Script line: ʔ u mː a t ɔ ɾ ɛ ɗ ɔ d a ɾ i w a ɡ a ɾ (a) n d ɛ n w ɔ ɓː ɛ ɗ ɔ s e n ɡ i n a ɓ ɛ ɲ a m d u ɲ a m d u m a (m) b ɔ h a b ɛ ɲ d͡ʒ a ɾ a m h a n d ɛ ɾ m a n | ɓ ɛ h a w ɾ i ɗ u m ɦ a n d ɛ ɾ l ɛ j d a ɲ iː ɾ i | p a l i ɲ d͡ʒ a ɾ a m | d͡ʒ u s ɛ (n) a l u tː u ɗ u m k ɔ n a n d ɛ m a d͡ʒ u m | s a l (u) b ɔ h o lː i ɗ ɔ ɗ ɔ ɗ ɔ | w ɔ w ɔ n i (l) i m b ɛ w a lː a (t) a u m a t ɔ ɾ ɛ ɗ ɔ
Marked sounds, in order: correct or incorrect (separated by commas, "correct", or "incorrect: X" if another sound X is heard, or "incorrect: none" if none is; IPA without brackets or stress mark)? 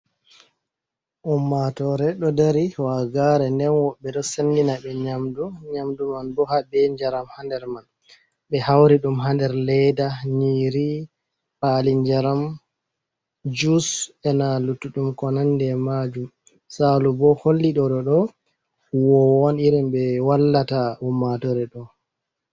incorrect: ɛ, incorrect: n, correct, correct, incorrect: ɾ, correct